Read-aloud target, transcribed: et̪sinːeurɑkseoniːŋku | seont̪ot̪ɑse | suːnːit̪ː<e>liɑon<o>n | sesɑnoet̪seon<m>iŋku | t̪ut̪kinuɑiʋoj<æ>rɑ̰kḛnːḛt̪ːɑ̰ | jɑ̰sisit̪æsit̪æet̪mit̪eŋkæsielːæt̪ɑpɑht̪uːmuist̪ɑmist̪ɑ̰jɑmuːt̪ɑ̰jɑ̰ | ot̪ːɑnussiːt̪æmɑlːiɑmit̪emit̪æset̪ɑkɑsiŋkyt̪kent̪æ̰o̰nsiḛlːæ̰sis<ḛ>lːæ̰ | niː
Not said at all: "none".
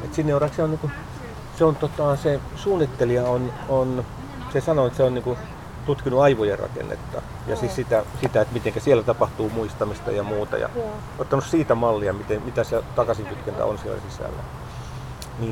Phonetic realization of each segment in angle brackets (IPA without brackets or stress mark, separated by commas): e, o, n, e, æ̰